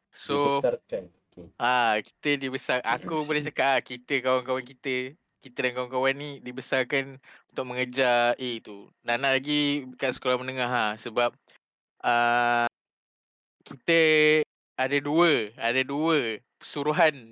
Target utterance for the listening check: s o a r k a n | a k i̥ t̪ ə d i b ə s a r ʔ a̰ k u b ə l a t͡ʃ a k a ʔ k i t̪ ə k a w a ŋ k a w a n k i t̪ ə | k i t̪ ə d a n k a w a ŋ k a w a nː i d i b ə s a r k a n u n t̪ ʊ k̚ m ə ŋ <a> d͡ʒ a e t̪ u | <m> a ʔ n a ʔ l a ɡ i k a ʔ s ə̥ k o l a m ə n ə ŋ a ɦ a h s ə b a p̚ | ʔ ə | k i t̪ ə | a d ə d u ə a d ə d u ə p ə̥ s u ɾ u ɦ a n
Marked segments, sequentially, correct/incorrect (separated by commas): incorrect, incorrect